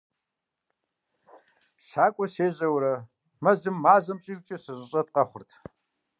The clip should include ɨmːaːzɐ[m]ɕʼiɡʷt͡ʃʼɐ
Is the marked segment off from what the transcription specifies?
no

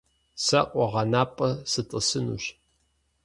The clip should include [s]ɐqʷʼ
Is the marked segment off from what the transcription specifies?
no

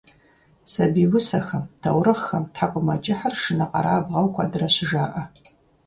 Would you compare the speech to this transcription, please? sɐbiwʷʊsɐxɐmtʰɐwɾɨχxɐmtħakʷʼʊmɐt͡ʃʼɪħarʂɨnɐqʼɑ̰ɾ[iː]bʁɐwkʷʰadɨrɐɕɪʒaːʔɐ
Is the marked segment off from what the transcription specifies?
yes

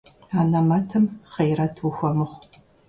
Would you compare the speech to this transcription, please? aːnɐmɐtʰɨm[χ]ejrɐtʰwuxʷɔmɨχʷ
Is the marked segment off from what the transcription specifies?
no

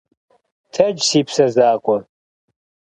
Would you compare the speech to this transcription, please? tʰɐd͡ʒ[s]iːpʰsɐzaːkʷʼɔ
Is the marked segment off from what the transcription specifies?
no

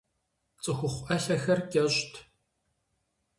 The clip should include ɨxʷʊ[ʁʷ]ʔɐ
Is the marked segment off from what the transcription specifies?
yes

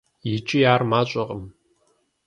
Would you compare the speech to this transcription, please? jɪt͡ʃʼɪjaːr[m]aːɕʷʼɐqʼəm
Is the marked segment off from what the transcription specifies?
no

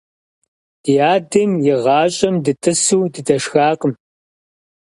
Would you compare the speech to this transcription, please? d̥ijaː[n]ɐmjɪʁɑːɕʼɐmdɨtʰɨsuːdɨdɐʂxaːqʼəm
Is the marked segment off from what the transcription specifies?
yes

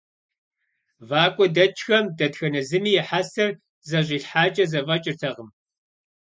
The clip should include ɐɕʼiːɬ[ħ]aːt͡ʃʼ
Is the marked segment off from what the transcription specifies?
no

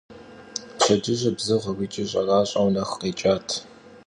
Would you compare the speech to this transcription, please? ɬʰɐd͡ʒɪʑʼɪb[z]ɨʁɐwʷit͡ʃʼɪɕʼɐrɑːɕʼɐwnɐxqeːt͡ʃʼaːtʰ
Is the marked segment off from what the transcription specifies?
no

